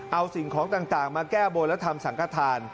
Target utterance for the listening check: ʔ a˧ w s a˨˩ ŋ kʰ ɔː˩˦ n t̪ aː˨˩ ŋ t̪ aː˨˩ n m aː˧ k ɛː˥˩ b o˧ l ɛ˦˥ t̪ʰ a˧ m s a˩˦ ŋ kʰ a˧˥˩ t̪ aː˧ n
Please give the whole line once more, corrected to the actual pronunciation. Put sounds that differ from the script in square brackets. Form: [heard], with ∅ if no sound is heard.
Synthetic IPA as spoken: ʔ a˧ w s [i˨˩] ŋ kʰ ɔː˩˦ [ŋ] t̪ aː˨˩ ŋ t̪ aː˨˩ [ŋ] m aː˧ k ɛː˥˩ b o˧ l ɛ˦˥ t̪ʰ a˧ m s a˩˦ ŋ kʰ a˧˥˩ [t̪ʰ] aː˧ n